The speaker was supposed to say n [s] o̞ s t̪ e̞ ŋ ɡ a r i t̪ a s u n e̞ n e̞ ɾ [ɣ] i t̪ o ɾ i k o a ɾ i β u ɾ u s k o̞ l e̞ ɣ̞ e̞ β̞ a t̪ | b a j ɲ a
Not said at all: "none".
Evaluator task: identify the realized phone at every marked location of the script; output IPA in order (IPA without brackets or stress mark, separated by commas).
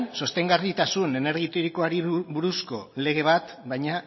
s, ɣ